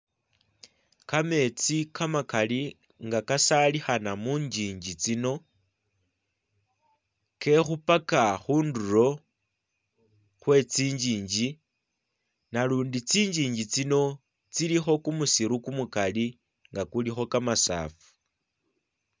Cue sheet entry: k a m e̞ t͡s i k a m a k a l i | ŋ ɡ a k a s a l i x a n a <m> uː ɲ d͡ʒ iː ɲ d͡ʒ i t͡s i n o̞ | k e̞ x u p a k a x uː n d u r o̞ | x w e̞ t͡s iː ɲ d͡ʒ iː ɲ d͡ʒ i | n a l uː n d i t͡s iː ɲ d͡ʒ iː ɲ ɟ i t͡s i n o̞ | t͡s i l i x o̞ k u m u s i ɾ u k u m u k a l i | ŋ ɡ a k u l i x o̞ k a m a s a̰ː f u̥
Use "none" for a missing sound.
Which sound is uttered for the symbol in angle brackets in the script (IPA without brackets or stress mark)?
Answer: m